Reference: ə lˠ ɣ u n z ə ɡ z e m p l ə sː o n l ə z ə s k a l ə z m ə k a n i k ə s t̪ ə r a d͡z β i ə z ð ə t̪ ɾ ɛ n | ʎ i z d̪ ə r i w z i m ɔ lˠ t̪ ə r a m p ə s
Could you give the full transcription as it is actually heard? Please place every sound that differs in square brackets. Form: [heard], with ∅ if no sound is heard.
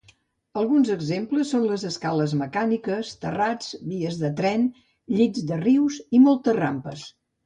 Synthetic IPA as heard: ə lˠ ɣ u n z ə ɡ z e m p l ə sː o n l ə z ə s k a l ə z m ə k a n i k ə s t̪ ə r a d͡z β i ə z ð ə t̪ ɾ ɛ n | ʎ i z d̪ ə r i w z i m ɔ lˠ t̪ ə r a m p ə s